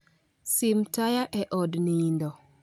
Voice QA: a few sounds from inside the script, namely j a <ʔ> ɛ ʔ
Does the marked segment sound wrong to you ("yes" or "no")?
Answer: no